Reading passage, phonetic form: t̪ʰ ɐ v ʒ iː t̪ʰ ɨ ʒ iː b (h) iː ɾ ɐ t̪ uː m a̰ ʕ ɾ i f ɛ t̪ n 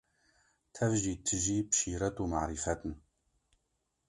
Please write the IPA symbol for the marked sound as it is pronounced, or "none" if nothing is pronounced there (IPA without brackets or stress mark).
ʃ